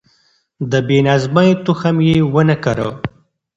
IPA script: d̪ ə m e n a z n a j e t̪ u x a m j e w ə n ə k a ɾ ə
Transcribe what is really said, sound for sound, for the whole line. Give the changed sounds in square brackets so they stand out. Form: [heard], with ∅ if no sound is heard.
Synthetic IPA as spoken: d̪ ə [b] e n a z [m] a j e t̪ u x a m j e w ə n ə k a ɾ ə